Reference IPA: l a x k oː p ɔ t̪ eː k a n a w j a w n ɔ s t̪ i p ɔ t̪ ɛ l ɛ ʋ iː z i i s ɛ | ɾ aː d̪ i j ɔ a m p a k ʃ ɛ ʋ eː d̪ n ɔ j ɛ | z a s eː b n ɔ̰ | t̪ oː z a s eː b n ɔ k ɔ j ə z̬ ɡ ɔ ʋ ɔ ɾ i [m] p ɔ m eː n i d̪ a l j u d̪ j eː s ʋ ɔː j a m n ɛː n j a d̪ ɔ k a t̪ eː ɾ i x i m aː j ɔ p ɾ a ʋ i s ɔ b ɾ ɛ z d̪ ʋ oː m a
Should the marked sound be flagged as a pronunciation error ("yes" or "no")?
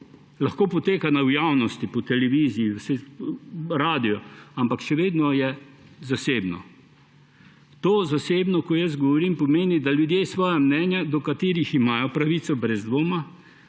no